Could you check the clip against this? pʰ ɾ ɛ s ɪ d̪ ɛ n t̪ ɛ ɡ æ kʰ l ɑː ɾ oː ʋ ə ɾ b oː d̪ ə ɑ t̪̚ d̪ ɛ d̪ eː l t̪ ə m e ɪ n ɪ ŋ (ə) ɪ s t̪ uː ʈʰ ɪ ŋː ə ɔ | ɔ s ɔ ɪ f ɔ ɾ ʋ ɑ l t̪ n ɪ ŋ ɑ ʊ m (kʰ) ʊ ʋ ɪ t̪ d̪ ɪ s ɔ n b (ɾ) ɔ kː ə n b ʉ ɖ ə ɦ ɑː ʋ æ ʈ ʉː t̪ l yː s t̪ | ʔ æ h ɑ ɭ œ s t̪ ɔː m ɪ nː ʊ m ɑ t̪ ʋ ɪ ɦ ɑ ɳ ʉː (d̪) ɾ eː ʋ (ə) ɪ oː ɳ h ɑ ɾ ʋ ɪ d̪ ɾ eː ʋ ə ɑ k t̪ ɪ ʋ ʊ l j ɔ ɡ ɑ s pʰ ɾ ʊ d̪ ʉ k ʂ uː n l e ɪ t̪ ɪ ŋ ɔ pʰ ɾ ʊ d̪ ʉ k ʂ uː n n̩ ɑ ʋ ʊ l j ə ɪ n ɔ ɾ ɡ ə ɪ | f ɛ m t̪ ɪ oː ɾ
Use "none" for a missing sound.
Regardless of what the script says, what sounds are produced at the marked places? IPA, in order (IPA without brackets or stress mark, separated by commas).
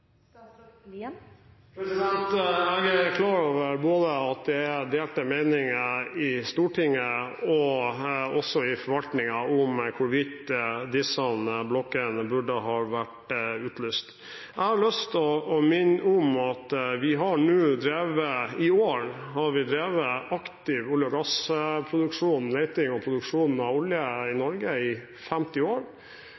ə, kʰ, l, d̪, ə